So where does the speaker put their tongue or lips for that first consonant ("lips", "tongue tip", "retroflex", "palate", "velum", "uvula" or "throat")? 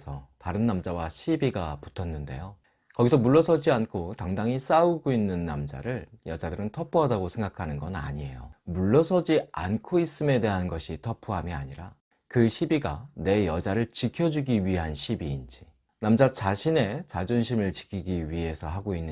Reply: tongue tip